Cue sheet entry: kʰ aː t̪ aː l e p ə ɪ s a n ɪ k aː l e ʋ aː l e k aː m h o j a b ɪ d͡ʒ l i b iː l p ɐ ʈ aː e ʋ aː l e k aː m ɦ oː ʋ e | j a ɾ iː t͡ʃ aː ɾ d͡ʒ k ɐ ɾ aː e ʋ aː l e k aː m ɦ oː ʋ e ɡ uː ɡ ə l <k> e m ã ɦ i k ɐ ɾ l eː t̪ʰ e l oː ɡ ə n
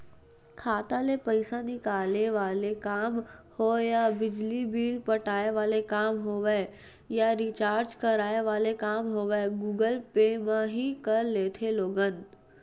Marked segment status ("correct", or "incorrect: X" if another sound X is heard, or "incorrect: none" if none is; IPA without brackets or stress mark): incorrect: p